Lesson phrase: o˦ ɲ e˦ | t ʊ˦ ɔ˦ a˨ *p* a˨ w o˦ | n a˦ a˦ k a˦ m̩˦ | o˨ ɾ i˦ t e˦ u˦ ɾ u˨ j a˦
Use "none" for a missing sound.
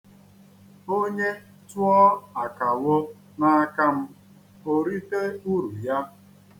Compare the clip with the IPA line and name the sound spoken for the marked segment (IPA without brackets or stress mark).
k